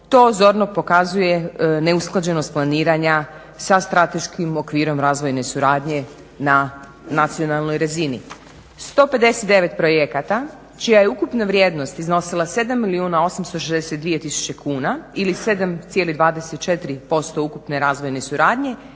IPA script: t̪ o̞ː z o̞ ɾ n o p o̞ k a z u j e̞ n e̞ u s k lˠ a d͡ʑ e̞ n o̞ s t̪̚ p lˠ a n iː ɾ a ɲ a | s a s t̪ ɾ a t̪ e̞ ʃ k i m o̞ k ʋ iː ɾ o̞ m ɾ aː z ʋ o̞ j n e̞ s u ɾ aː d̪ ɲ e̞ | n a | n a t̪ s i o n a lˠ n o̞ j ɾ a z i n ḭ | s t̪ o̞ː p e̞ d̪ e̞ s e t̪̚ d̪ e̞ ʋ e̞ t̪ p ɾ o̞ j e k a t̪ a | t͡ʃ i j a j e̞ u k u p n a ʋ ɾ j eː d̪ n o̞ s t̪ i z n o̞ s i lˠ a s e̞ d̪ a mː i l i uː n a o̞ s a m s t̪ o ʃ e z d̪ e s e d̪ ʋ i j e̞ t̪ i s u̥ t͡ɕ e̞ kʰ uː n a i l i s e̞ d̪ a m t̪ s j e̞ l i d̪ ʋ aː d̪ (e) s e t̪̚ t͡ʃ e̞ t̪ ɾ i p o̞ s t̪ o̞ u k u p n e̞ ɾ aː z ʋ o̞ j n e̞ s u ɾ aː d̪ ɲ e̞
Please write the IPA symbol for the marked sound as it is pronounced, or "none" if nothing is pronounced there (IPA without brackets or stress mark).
e